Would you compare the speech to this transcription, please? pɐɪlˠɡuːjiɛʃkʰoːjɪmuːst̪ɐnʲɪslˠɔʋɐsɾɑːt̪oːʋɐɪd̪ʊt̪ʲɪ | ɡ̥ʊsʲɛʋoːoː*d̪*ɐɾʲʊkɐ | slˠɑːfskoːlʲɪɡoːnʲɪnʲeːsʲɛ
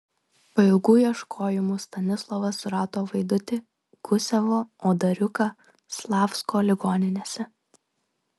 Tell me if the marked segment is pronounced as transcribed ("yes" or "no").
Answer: yes